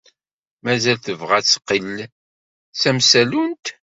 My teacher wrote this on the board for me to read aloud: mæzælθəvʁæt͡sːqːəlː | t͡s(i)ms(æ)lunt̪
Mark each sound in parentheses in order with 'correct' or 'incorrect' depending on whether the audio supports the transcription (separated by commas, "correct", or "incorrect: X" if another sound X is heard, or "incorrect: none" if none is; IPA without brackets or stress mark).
incorrect: æ, correct